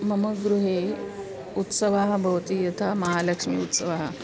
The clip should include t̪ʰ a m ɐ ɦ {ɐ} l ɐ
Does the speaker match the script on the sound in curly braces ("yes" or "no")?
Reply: no